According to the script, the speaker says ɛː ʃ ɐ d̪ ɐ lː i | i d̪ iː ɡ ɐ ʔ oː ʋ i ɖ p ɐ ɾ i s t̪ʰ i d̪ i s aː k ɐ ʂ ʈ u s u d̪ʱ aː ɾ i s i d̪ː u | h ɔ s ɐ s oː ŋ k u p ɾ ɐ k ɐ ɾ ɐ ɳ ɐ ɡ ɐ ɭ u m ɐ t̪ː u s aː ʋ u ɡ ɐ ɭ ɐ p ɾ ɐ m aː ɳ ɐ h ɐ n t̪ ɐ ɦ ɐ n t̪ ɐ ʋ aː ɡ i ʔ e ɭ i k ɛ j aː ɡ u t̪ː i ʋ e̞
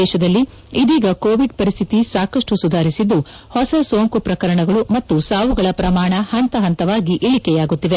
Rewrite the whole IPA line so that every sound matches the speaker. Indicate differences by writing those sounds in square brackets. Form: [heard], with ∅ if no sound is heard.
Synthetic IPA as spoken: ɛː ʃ ɐ d̪ ɐ lː i | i d̪ iː ɡ ɐ [k] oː ʋ i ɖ p ɐ ɾ i s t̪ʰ i [t̪] i s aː k ɐ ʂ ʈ u s u d̪ʱ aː ɾ i s i d̪ː u | h ɔ s ɐ s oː ŋ k u p ɾ ɐ k ɐ ɾ ɐ ɳ ɐ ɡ ɐ ɭ u m ɐ t̪ː u s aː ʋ u ɡ ɐ ɭ ɐ p ɾ ɐ m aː ɳ ɐ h ɐ n t̪ ɐ ɦ ɐ n t̪ ɐ ʋ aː ɡ i ʔ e ɭ i k ɛ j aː ɡ u t̪ː i ʋ e̞